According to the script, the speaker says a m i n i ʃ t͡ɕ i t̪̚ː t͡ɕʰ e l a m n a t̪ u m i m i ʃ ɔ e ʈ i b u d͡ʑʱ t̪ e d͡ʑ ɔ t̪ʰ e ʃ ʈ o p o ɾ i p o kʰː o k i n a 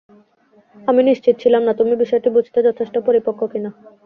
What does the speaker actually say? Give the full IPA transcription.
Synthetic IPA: a m i n i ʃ t͡ɕ i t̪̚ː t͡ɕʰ i l a m n a t̪ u m i b i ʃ ɔ e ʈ i b u d͡ʑʱ t̪ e d͡ʑ ɔ t̪ʰ e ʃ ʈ o p o ɾ i p o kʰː o k i n a